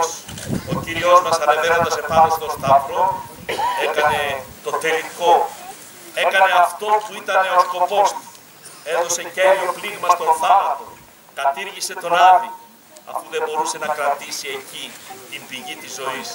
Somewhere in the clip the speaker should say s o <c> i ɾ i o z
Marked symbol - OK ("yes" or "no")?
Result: yes